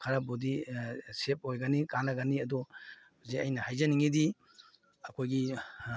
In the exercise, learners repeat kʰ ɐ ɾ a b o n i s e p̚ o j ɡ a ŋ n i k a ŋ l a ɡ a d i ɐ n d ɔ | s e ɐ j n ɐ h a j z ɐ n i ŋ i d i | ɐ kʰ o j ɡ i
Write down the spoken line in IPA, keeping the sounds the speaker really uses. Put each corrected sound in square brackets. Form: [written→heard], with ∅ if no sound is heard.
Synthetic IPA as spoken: kʰ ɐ ɾ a b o [n→d] i s e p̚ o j ɡ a [ŋ→∅] n i k a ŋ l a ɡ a [d→n] i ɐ [n→∅] d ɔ | [s→z] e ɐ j n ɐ h a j z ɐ n i ŋ i d i | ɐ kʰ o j ɡ i